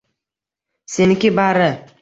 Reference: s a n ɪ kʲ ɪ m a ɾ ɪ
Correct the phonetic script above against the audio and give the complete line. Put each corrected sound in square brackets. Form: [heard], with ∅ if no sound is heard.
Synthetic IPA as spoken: s [e] n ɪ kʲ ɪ [b] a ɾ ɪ